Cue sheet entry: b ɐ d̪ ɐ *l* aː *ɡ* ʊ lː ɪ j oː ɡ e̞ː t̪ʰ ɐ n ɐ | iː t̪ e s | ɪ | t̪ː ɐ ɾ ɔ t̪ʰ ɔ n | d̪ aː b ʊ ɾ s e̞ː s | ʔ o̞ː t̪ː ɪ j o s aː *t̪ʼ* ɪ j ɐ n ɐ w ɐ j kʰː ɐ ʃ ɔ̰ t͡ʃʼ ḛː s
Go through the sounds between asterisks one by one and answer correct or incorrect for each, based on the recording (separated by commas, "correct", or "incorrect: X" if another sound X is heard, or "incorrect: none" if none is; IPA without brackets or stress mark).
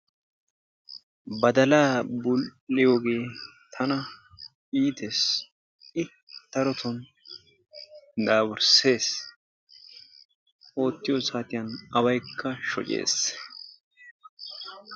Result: correct, incorrect: b, incorrect: t̪